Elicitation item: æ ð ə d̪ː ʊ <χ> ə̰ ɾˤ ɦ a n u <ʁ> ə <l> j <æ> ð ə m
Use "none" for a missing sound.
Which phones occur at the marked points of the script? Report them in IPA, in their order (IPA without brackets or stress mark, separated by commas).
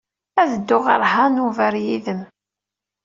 ʁ, v, ɾ, i